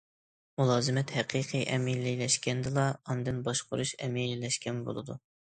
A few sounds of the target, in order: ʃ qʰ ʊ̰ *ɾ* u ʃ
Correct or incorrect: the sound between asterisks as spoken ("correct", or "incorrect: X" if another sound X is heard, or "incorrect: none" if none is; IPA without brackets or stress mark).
correct